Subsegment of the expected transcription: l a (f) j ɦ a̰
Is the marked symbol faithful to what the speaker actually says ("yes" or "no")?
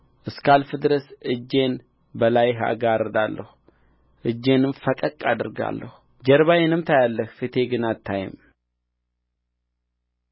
no